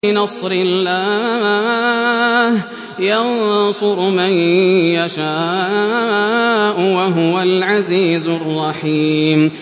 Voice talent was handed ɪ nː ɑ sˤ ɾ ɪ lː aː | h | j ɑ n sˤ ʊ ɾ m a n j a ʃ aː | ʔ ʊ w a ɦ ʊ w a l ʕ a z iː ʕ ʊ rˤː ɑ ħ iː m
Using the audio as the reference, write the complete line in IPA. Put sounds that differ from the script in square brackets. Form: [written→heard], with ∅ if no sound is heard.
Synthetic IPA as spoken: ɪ [nː→n] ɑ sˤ ɾ ɪ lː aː | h | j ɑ n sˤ ʊ ɾ m a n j a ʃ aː | ʔ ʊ w a ɦ ʊ w a l ʕ a z iː [ʕ→z] ʊ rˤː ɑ ħ iː m